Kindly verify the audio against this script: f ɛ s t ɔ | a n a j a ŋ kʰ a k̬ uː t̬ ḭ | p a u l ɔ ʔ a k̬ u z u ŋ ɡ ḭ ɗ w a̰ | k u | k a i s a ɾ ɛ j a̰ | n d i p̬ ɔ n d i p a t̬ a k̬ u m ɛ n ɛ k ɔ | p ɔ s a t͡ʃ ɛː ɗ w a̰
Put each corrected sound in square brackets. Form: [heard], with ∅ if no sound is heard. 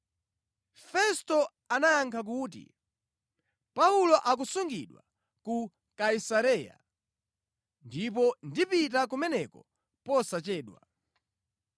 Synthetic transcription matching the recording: f ɛ s t ɔ | a n a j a ŋ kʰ a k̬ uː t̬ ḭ | p a u l ɔ ʔ a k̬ u [s] u ŋ ɡ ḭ ɗ w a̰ | k u | k a i s a ɾ ɛ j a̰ | n d i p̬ ɔ n d i p [i] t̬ a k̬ u m ɛ n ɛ k ɔ | p ɔ s a t͡ʃ ɛː ɗ w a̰